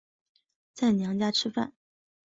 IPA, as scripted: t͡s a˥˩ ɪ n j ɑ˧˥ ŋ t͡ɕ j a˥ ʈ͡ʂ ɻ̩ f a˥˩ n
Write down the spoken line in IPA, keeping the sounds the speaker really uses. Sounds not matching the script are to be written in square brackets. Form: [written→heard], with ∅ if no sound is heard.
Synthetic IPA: t͡s a˥˩ ɪ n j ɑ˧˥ ŋ t͡ɕ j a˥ [ʈ͡ʂ→ʈ͡ʂʰ] ɻ̩ f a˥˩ n